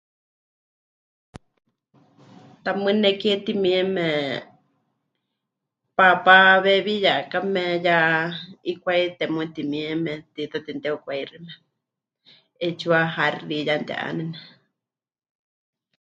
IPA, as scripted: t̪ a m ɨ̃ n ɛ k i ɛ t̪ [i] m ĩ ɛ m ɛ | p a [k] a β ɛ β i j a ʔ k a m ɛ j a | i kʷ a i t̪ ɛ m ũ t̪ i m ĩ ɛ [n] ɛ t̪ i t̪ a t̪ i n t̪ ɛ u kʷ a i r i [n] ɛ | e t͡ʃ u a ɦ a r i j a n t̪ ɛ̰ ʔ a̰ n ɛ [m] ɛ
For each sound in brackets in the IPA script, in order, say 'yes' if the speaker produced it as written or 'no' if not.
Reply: yes, no, no, no, no

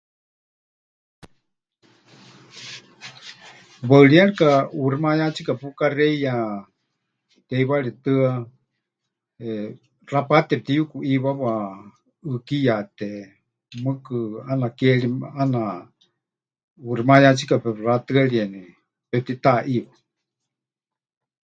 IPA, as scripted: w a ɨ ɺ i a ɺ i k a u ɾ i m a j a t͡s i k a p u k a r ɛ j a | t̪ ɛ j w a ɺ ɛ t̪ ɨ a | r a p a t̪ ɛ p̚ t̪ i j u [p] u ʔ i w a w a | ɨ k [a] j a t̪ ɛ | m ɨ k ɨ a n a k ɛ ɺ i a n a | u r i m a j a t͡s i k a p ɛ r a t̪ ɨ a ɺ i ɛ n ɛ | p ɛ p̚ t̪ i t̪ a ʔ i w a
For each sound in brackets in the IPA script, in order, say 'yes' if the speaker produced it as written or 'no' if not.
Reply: no, no

